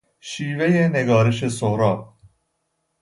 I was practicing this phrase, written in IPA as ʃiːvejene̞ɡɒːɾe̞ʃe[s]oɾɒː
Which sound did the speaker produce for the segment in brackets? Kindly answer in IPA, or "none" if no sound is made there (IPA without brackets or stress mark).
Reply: s